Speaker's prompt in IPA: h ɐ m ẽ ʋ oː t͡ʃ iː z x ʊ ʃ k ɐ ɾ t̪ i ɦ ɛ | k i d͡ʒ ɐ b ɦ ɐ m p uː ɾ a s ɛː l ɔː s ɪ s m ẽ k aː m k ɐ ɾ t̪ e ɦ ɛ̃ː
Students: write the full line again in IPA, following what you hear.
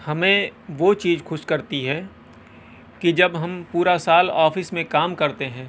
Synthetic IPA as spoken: h ɐ m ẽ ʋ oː t͡ʃ iː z x ʊ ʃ k ɐ ɾ t̪ i ɦ ɛ | k i d͡ʒ ɐ b ɦ ɐ m p uː ɾ a s aː l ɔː f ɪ s m ẽ k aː m k ɐ ɾ t̪ e ɦ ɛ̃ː